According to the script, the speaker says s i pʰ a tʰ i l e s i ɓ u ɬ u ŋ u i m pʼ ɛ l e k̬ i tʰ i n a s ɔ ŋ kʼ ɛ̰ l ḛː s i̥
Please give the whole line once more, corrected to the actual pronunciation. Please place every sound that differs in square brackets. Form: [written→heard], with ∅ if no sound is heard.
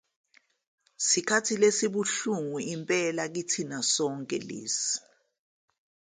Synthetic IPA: s i [pʰ→kʰ] a tʰ i l e s i ɓ u ɬ u ŋ u i m pʼ ɛ l [e→a] k̬ i tʰ i n a s ɔ ŋ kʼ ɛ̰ l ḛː s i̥